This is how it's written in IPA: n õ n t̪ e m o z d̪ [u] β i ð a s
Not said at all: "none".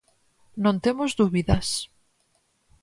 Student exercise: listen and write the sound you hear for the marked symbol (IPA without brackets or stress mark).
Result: u